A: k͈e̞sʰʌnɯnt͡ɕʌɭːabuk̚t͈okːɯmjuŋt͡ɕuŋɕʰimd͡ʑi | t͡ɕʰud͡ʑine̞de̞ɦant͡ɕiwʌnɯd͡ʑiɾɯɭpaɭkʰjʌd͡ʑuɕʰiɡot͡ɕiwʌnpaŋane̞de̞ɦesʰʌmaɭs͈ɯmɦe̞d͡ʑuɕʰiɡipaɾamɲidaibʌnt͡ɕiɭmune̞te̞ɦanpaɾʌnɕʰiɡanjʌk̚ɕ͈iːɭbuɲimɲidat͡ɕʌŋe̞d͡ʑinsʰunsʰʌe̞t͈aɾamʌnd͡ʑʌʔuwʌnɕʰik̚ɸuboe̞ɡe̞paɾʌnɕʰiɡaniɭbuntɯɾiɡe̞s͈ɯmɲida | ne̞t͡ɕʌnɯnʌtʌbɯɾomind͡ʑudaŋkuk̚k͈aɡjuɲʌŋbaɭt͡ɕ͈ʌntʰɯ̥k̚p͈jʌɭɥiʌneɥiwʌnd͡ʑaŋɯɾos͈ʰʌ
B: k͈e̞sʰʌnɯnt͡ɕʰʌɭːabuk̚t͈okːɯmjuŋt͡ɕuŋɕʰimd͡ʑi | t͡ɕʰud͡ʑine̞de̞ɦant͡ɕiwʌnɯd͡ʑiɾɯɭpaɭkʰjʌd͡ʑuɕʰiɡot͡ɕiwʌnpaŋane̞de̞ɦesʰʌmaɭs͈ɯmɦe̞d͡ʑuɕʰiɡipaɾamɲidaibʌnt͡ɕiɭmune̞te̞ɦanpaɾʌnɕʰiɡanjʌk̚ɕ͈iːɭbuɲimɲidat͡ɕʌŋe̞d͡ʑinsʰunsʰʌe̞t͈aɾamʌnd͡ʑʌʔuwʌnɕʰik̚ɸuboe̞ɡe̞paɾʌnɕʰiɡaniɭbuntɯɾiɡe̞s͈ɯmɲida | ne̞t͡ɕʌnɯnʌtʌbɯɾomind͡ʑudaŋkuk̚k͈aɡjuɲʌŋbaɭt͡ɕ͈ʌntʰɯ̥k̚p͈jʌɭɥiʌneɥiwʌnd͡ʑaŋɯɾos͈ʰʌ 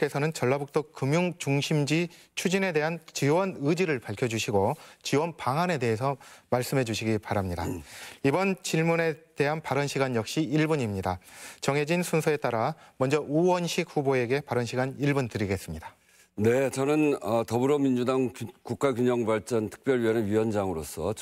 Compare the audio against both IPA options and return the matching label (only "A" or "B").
A